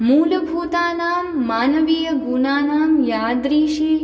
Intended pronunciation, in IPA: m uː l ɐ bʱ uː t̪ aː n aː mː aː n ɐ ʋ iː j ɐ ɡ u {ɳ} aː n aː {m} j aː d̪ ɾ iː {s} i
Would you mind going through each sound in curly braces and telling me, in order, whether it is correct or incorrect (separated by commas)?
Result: incorrect, correct, incorrect